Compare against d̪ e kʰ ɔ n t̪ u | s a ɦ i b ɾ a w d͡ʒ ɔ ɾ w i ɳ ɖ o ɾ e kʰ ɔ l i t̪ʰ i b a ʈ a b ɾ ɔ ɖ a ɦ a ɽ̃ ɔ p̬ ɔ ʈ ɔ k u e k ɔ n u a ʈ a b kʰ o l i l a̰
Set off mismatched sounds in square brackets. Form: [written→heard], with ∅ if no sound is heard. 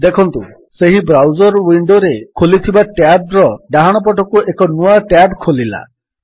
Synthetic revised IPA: d̪ e kʰ ɔ n t̪ u | s [a→e] ɦ i b ɾ a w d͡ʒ ɔ ɾ w i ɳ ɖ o ɾ e kʰ [ɔ→o] l i t̪ʰ i b a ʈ a b ɾ ɔ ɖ a ɦ a ɽ̃ ɔ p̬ ɔ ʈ ɔ k u e k ɔ n u a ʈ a b kʰ o l i l a̰